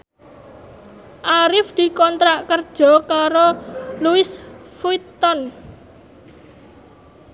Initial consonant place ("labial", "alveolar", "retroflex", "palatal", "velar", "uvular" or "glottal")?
glottal